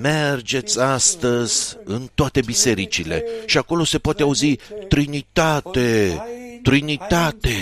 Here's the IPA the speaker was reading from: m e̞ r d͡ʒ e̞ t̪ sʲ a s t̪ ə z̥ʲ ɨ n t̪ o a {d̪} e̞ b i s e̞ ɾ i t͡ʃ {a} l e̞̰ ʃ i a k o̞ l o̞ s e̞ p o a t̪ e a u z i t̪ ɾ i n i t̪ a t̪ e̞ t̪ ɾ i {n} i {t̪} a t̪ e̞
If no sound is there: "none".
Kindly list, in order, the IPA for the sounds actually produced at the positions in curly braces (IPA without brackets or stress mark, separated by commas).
t̪, i, n, t̪